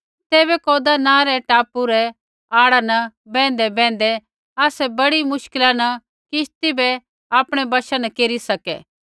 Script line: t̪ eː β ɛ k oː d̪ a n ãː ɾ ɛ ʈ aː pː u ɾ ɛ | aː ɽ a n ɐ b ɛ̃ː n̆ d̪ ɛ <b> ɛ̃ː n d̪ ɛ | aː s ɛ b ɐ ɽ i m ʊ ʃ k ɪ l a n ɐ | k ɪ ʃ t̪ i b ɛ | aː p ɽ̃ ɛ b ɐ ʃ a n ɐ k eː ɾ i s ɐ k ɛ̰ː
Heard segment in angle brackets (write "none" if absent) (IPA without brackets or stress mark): b